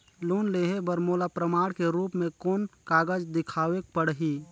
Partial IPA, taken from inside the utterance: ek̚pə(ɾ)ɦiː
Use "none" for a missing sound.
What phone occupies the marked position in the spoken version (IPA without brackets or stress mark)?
ɽ